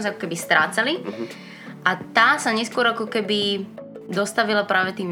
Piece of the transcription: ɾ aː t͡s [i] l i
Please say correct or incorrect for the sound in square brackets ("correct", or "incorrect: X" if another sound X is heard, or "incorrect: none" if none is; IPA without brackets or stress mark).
incorrect: a